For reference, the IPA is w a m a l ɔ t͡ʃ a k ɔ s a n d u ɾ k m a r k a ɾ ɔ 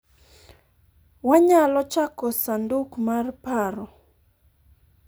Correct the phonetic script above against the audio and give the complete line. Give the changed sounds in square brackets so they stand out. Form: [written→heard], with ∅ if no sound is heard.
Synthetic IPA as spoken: w a [m→ɲ] a l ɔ t͡ʃ a k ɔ s a n d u [ɾ→∅] k m a r [k→p] a ɾ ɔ